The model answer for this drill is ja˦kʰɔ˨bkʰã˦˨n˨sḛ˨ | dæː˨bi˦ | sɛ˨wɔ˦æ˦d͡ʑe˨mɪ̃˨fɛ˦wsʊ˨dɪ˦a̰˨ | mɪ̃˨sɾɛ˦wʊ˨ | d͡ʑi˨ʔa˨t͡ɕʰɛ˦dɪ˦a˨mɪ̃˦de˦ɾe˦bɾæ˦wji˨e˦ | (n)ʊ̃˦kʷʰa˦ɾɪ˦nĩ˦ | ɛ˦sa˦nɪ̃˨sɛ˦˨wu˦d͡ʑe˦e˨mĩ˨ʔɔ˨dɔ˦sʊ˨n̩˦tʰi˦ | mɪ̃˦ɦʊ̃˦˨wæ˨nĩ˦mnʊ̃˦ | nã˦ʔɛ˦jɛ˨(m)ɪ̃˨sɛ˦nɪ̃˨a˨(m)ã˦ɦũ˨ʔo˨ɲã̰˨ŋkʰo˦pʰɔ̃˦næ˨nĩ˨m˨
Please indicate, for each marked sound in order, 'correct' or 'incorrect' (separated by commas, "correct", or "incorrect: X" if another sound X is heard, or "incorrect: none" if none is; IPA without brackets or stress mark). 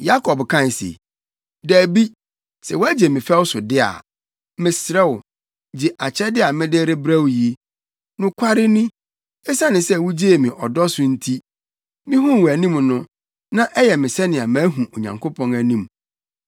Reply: correct, correct, correct